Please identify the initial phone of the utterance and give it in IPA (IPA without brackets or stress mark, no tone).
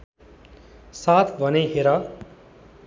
s